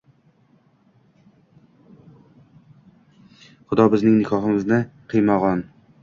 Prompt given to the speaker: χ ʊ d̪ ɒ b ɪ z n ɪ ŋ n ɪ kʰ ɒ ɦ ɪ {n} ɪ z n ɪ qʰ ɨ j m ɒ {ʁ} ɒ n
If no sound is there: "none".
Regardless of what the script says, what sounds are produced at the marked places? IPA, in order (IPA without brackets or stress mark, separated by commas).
m, ʁ